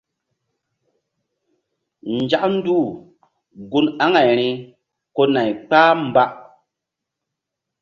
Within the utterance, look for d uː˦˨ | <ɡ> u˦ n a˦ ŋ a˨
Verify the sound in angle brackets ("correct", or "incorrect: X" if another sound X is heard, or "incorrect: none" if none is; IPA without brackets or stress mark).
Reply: correct